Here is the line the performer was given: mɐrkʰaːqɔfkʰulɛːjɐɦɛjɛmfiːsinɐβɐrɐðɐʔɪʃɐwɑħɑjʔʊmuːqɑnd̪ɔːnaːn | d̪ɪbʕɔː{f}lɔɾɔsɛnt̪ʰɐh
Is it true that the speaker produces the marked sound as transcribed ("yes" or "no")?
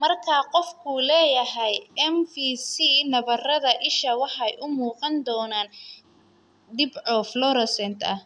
yes